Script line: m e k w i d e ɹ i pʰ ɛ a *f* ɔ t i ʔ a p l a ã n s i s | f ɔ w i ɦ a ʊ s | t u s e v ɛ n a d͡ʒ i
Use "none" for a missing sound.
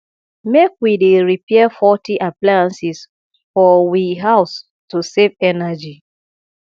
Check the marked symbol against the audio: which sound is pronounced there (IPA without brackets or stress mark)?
f